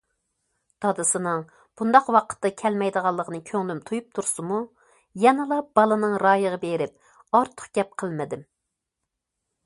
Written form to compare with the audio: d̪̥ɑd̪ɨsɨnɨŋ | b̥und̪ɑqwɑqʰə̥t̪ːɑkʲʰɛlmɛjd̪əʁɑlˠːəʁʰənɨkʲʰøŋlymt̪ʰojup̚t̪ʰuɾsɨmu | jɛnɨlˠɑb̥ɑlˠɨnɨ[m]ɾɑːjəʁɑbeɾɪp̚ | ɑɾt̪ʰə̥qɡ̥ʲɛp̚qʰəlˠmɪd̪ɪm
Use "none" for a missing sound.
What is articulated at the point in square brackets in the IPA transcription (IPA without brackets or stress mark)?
ŋ